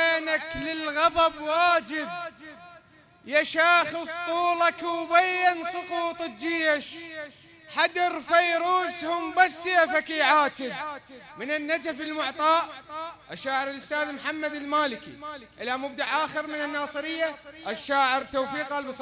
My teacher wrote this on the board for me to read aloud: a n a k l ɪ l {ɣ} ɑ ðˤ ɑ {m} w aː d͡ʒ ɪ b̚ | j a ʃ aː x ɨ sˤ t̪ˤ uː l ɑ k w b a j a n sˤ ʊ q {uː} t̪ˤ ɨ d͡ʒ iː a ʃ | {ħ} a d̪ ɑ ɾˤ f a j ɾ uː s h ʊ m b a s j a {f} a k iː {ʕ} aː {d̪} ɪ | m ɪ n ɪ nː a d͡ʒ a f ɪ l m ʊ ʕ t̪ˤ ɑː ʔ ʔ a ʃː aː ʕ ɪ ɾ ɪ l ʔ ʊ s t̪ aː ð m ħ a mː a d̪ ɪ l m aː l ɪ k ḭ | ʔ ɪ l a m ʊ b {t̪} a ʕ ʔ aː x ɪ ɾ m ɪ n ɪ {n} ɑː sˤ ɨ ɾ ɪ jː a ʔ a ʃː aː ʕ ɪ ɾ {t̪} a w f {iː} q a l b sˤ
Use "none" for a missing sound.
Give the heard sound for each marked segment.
ɣ, b, uː, ħ, f, ʕ, t̪, d̪, nː, t̪, iː

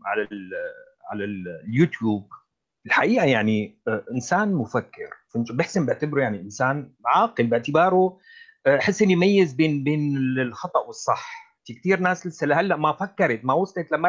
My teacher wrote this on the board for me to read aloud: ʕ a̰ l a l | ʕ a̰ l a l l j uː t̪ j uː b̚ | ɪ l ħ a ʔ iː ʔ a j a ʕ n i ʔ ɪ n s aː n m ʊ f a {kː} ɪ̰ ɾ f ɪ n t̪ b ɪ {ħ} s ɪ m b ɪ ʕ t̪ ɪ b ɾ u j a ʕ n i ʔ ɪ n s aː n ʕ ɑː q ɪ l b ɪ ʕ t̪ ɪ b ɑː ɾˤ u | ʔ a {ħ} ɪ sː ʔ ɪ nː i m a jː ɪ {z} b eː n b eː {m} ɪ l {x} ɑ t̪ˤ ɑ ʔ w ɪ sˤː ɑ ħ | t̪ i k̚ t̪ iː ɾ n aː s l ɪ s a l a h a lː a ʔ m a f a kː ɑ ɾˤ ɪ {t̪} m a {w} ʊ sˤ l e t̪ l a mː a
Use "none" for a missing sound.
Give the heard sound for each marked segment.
kː, ħ, ħ, z, n, x, t̪, w

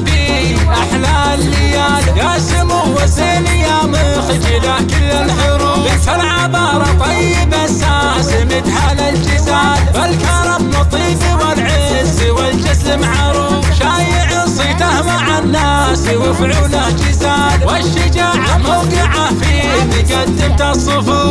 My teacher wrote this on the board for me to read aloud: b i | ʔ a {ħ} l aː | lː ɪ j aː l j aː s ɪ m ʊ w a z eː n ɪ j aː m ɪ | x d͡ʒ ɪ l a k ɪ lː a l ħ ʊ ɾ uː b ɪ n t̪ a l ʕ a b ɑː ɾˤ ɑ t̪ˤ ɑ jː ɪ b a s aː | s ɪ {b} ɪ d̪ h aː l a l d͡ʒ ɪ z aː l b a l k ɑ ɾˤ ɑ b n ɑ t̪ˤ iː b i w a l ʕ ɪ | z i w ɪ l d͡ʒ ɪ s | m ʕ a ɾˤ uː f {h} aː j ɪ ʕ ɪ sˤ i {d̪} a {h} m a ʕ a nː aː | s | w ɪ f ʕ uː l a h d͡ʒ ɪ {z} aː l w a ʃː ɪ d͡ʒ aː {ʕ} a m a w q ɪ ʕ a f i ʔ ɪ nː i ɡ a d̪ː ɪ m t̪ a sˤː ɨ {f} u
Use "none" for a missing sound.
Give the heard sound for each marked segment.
ħ, m, ʃ, t̪, h, z, ʕ, f

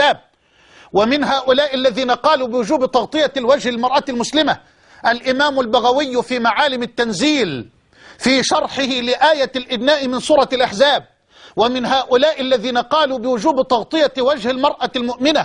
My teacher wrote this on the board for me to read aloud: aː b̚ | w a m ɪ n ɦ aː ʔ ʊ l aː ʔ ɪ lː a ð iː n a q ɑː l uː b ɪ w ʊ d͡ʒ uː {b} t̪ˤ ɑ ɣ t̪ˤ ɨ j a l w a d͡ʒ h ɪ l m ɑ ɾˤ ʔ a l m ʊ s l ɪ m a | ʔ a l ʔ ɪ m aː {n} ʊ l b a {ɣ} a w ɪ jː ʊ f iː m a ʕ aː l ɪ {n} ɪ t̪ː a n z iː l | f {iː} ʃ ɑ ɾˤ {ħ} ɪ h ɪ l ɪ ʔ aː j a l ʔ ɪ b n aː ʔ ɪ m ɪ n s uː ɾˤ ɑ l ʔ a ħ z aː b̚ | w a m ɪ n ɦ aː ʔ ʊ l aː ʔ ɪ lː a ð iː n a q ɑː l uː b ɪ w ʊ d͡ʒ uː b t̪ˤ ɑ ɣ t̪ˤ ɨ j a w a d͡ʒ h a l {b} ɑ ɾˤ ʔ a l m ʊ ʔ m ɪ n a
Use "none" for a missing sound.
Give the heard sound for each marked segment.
b, m, ɣ, m, iː, ħ, m

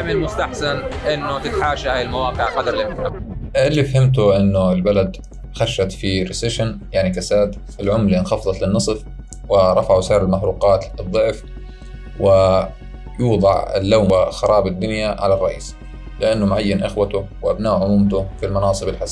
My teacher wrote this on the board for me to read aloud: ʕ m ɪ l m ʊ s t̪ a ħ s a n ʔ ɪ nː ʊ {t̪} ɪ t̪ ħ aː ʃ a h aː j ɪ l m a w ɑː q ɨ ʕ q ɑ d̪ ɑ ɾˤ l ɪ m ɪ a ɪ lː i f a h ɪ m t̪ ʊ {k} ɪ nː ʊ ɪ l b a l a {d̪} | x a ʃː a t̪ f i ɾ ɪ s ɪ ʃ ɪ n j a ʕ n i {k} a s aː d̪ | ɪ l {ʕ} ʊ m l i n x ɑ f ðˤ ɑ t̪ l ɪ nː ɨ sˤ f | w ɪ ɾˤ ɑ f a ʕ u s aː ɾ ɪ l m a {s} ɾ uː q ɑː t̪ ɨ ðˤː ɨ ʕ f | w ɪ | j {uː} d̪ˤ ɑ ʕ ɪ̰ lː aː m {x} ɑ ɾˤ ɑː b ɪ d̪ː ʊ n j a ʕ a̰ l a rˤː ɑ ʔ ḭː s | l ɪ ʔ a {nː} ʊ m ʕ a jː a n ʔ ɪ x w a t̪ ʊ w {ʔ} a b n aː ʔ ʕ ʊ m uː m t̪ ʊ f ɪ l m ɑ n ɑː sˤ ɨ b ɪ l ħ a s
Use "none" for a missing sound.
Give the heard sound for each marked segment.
t̪, ʔ, d̪, k, ʕ, ħ, uː, x, nː, ʔ

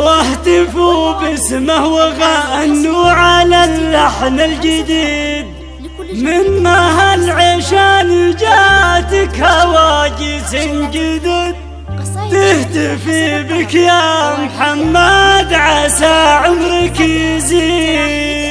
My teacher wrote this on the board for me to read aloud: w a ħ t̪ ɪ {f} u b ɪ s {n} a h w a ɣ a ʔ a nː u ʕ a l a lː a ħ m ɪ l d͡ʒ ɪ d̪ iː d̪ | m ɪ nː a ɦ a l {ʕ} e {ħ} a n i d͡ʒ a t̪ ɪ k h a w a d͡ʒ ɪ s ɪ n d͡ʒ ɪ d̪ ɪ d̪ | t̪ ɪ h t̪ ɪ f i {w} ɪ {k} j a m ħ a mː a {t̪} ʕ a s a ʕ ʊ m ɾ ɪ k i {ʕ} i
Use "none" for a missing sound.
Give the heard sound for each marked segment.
f, m, ʕ, ʃ, b, k, d̪, z

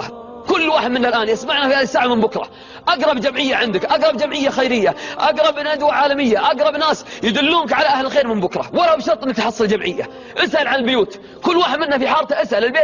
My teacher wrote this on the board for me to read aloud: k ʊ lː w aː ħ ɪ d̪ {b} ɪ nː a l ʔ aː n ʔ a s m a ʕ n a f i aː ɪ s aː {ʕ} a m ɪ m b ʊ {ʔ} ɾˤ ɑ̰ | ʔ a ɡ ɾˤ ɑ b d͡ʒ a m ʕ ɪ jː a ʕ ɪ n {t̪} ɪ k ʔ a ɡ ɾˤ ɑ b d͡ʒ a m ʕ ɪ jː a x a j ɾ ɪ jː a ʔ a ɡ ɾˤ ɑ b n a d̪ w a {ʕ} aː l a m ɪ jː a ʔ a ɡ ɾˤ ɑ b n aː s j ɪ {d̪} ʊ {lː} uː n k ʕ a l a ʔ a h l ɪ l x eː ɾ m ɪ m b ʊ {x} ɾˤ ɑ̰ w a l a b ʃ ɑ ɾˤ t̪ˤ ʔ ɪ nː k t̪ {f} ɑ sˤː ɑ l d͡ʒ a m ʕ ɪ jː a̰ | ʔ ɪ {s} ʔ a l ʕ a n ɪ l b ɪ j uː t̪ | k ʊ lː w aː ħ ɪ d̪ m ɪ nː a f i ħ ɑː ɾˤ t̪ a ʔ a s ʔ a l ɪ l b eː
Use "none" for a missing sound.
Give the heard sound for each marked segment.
m, ʕ, k, d̪, ʕ, d̪, lː, k, ħ, s

